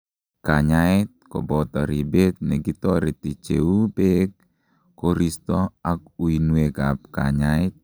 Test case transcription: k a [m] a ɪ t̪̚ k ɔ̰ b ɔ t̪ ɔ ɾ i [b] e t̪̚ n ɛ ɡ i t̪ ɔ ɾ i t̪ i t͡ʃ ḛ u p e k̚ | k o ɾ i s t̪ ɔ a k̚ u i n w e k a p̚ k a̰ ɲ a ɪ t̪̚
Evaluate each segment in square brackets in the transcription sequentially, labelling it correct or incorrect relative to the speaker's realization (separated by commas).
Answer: incorrect, correct